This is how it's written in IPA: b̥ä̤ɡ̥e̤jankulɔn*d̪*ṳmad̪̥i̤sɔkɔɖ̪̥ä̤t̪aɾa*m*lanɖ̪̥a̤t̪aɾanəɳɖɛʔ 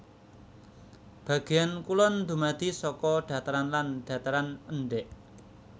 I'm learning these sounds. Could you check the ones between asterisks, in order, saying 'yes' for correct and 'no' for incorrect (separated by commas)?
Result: yes, no